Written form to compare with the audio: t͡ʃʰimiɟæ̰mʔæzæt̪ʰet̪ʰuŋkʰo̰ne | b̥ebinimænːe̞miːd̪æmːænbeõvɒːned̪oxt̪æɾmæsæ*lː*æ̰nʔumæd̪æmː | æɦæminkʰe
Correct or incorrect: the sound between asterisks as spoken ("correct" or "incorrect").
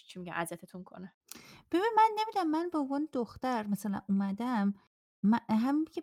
incorrect